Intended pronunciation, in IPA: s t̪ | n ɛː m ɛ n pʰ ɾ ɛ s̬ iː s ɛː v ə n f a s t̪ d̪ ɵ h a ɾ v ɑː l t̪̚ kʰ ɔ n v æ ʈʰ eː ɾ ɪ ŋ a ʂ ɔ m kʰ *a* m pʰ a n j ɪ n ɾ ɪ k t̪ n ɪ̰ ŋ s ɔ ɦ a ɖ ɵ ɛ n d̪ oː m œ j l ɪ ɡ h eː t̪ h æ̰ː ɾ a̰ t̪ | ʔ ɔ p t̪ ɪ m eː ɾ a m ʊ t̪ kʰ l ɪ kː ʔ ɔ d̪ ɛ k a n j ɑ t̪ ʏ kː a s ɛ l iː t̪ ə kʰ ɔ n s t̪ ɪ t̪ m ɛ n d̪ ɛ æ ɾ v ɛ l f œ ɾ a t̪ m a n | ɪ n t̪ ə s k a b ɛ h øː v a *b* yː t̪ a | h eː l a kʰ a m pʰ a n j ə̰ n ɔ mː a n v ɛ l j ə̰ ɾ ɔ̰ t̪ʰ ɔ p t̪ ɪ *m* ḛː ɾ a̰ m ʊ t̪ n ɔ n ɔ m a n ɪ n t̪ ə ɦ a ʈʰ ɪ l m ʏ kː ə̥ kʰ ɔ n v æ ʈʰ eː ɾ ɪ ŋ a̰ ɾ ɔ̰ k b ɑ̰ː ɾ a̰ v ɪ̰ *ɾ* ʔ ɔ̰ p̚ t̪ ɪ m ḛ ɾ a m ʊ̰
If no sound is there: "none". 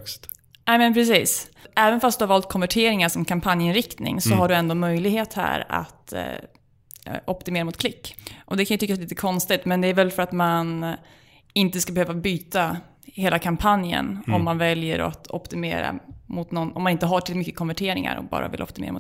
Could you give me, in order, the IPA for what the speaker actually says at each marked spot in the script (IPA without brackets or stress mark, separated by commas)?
a, b, m, l